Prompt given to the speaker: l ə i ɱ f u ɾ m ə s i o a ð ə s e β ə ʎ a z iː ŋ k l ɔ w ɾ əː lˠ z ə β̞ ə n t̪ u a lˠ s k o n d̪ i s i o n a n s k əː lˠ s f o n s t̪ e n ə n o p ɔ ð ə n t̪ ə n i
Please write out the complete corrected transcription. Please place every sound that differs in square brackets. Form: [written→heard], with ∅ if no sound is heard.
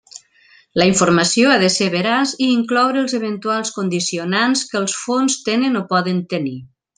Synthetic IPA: l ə i ɱ f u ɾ m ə s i o a ð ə s e β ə [ʎ→ɾ] a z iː ŋ k l ɔ w ɾ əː lˠ z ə β̞ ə n t̪ u a lˠ s k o n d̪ i s i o n a n s k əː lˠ s f o n s t̪ e n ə n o p ɔ ð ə n t̪ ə n i